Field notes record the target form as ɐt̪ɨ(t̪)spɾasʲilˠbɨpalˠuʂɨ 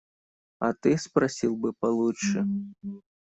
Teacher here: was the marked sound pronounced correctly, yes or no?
no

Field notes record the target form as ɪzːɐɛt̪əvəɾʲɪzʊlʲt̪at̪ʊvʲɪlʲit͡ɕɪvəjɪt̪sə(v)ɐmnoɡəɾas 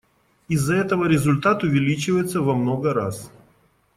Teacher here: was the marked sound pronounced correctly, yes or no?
yes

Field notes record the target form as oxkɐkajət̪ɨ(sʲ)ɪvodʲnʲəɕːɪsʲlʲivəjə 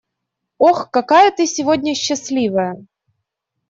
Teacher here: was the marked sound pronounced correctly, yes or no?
yes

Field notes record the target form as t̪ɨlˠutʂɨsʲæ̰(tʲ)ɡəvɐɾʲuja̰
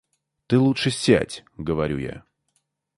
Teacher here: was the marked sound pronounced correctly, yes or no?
yes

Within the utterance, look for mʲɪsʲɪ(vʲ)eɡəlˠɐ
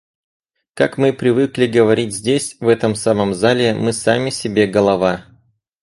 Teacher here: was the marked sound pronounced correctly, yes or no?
no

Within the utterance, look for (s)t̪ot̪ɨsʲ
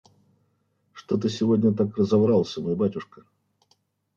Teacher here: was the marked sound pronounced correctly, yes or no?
no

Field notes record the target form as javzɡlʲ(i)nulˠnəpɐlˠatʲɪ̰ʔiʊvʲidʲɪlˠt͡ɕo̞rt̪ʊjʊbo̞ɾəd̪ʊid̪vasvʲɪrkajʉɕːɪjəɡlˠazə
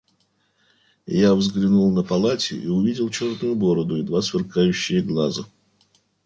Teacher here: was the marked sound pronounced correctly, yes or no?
no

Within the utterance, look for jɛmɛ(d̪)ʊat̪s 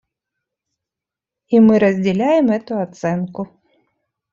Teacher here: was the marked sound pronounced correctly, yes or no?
no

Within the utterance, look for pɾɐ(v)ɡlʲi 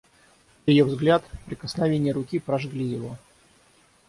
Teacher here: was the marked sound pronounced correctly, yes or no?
no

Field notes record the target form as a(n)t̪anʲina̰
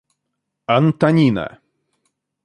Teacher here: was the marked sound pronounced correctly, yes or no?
yes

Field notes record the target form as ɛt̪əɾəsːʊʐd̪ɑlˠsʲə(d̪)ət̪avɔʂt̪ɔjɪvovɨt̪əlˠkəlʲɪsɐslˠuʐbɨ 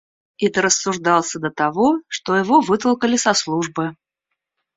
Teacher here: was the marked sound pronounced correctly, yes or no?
yes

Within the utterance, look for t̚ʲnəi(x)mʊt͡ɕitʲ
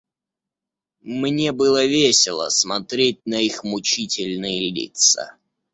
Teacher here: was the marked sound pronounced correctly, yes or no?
yes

